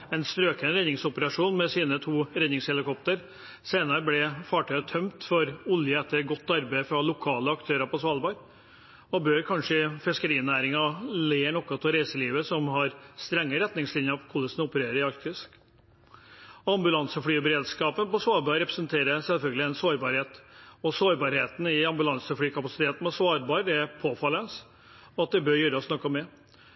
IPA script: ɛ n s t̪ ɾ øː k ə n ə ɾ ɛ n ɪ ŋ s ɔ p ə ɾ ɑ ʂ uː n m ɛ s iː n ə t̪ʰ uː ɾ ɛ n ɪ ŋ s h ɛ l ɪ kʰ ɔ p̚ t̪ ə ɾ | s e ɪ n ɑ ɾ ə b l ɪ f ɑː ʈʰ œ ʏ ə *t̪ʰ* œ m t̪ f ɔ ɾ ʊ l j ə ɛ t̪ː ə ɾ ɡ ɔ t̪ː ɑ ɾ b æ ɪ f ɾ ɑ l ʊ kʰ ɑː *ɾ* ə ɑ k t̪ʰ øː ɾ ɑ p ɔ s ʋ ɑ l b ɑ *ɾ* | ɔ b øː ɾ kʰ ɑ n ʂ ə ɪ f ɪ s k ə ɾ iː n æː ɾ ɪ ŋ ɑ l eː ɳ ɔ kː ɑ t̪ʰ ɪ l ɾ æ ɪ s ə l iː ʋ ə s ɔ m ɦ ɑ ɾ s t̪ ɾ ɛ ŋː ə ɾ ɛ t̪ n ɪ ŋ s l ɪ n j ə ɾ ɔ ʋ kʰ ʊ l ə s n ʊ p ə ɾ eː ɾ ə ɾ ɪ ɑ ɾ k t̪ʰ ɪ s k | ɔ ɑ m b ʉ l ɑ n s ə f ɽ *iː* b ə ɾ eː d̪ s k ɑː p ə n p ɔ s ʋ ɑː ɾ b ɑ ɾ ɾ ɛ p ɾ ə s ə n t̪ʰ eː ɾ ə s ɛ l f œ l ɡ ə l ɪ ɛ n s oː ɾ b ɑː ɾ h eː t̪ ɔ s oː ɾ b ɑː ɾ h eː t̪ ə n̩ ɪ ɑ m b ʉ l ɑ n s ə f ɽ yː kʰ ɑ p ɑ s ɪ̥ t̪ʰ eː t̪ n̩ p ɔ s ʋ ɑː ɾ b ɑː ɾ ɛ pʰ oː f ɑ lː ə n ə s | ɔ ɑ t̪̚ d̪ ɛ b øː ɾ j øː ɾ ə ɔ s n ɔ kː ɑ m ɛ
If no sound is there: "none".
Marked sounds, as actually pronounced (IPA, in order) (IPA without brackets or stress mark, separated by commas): t̪ʰ, l, ɾ, yː